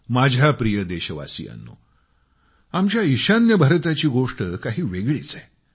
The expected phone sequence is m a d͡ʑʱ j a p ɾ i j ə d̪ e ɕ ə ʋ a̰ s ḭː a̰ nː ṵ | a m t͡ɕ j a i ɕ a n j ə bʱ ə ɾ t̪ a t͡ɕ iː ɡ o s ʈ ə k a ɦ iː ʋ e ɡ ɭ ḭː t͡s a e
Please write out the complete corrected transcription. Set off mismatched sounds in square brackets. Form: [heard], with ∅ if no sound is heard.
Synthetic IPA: m a d͡ʑʱ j a p ɾ i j ə d̪ e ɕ ə ʋ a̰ s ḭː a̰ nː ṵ | a m t͡ɕ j a i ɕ a n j ə bʱ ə ɾ t̪ a t͡ɕ iː ɡ o [ʂ] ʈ ə k a ɦ iː ʋ e ɡ ɭ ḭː t͡s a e